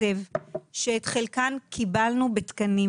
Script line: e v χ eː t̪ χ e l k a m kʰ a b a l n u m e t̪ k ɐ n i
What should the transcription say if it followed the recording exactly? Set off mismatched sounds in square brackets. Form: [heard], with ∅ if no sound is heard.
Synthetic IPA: e v [ʃ] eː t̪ χ e l k a [n] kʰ [i] b a l n u [b] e t̪ k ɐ n i